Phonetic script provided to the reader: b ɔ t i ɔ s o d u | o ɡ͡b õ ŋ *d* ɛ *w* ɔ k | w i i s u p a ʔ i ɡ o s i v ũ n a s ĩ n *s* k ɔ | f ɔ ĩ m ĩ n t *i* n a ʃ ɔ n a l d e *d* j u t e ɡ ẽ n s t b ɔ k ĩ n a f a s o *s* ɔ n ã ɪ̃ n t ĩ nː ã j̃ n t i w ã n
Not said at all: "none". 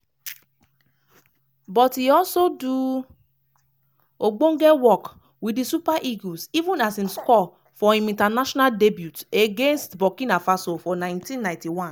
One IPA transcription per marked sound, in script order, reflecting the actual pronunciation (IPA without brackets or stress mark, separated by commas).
ɡ, w, s, a, b, f